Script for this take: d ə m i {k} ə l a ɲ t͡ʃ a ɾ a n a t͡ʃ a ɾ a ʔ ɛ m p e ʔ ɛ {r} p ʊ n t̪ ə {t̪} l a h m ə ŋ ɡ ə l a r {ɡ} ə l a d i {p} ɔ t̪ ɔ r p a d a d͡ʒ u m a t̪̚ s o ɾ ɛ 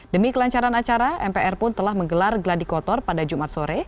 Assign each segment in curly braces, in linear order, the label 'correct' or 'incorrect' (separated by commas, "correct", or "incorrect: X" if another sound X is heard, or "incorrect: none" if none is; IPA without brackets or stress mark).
correct, correct, incorrect: none, correct, incorrect: k